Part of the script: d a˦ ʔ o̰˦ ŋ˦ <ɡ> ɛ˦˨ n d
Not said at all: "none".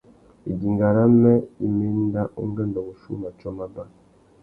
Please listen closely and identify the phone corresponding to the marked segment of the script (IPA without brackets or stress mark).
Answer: ɡ